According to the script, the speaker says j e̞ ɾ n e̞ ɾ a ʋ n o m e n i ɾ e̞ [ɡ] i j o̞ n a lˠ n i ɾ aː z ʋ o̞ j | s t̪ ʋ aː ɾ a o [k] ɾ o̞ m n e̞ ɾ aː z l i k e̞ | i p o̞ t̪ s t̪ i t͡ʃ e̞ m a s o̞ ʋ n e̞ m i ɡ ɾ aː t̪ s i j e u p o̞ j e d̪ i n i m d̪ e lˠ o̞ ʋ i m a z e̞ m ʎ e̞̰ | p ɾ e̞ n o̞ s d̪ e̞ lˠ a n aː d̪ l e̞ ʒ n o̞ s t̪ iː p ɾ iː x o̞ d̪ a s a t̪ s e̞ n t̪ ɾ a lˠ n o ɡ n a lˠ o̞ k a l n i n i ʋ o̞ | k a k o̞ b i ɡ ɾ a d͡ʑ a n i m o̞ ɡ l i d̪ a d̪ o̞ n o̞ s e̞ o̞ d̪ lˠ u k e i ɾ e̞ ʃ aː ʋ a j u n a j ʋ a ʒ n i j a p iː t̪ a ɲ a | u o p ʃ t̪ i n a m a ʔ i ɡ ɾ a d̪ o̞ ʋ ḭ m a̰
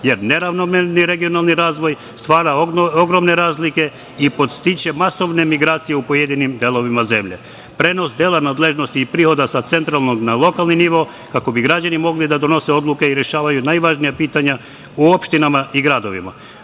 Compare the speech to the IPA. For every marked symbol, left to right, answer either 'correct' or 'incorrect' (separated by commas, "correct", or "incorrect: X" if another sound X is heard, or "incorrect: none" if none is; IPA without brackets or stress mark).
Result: correct, incorrect: ɡ